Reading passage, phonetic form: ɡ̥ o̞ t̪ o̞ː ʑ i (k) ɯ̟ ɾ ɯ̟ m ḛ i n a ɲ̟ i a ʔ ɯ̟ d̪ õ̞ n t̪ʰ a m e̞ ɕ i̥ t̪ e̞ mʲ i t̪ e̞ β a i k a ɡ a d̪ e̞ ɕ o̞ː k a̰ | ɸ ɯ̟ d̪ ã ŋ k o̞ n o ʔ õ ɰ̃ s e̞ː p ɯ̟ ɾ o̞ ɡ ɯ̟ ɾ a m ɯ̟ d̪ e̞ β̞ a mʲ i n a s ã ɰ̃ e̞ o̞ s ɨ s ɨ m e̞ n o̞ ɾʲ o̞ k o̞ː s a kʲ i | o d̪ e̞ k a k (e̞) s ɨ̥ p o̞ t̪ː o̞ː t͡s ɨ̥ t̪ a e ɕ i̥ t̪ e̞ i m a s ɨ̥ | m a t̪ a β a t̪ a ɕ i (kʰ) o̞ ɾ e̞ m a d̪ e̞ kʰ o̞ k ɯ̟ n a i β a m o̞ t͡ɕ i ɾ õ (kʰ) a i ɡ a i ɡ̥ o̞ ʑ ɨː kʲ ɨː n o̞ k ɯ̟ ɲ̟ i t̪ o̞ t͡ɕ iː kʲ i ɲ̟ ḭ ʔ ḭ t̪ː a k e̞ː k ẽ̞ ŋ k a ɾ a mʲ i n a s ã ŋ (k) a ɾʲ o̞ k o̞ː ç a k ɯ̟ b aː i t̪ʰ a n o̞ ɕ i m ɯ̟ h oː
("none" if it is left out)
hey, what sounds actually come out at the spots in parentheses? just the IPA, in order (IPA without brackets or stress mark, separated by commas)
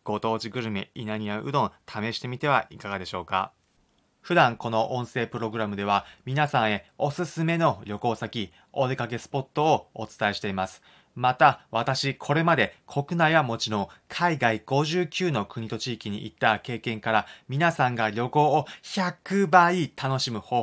ɡ, e̞, kʰ, kʰ, ɡ